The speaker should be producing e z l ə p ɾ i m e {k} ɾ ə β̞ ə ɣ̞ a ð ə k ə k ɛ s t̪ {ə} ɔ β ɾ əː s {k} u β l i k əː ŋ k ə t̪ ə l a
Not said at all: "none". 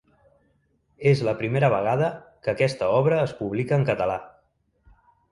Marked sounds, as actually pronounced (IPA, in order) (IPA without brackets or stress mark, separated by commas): none, ə, p